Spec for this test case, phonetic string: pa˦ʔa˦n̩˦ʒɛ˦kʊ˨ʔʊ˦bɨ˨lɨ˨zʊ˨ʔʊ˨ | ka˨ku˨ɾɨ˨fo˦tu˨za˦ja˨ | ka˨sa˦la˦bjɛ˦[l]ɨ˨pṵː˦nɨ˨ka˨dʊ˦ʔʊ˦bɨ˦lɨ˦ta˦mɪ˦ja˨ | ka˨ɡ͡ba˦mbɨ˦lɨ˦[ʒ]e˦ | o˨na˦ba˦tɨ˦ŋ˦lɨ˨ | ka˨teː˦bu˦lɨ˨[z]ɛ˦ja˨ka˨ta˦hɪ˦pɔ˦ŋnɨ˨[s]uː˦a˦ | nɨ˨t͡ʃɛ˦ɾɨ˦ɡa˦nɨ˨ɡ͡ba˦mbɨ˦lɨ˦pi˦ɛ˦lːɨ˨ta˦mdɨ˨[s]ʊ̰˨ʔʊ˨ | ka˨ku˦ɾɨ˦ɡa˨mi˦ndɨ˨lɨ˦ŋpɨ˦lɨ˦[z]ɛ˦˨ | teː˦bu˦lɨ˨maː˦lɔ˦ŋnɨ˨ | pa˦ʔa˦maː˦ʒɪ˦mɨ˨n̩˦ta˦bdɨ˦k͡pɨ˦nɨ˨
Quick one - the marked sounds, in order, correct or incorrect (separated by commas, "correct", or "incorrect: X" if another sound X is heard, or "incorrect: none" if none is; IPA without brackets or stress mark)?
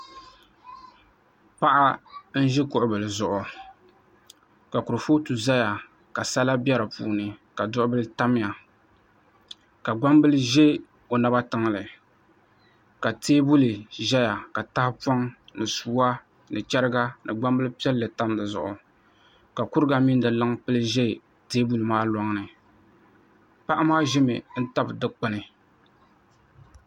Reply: incorrect: ɾ, correct, incorrect: ʒ, correct, incorrect: z, incorrect: ʒ